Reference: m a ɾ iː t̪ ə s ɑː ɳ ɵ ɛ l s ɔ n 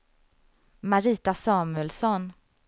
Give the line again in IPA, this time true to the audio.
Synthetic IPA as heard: m a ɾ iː t̪ a s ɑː m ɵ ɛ l s ɔ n